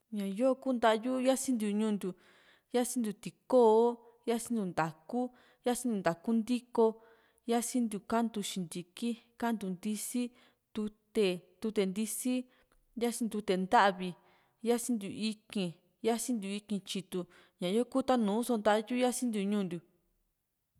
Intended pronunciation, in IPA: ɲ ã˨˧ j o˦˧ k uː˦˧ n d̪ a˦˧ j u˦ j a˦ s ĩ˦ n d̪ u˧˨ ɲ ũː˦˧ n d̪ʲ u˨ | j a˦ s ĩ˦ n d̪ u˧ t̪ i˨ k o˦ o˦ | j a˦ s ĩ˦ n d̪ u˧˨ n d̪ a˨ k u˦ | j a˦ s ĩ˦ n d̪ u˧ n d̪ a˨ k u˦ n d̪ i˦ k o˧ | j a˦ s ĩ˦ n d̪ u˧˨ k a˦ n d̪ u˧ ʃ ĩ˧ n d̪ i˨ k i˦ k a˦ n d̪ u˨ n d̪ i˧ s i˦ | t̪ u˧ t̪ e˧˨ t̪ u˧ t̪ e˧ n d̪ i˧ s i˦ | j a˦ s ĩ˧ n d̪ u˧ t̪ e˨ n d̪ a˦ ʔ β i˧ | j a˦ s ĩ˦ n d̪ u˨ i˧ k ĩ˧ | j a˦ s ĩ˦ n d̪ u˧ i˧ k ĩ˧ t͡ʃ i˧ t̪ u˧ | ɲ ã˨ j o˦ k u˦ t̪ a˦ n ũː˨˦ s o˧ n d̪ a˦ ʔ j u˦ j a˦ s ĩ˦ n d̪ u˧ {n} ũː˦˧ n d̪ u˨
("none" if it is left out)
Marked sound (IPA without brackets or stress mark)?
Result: ɲ